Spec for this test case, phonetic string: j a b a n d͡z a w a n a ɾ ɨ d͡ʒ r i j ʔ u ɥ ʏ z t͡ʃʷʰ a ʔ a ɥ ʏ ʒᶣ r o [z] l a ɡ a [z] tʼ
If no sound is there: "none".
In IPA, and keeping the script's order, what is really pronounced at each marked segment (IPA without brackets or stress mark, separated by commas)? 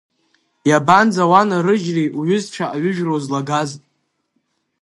z, z